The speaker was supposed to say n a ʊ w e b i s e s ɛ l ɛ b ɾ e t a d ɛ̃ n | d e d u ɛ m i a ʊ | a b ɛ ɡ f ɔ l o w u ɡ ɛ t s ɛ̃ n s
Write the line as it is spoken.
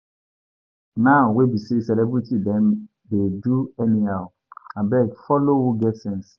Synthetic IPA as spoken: n a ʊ w e b i s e s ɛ l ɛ b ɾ i t i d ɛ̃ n | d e d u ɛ n i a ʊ | a b ɛ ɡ f ɔ l o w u ɡ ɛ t s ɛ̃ n s